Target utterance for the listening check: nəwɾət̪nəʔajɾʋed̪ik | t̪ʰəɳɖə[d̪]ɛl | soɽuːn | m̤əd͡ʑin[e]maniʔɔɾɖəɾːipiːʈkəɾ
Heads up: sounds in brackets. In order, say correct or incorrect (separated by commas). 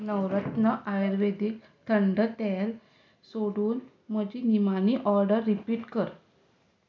incorrect, incorrect